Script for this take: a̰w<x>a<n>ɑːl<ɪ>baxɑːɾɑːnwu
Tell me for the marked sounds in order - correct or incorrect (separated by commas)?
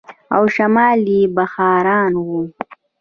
incorrect, incorrect, incorrect